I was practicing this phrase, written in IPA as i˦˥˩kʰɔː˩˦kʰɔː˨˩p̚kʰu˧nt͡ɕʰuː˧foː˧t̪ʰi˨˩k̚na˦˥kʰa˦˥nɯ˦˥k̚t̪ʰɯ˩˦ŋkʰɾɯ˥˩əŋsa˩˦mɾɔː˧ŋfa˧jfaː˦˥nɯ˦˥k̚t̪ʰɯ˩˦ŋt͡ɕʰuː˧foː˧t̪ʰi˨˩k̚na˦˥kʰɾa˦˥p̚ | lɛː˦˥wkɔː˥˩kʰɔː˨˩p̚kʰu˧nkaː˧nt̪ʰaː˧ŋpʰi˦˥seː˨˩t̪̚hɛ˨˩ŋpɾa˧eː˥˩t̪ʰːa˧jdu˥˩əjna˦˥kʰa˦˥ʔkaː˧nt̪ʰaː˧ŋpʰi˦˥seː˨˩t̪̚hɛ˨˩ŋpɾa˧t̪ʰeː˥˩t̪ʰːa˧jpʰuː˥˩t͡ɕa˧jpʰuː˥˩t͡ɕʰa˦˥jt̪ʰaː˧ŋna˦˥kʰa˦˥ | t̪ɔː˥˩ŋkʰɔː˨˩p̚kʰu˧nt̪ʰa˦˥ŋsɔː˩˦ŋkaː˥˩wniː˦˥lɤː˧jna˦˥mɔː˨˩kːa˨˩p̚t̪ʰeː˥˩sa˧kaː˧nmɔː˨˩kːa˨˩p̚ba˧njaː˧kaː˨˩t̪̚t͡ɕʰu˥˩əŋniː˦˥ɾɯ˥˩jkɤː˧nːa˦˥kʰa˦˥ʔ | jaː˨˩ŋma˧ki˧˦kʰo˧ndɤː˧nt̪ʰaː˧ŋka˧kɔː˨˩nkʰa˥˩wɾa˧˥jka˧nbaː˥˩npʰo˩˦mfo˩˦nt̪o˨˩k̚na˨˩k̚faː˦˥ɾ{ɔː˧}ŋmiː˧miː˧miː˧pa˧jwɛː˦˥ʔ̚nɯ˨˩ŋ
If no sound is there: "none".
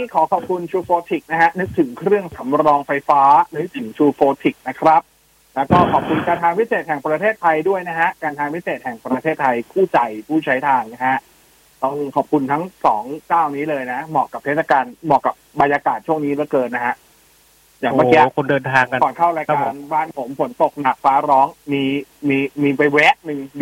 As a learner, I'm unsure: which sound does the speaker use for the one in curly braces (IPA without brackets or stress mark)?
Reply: ɔː˦˥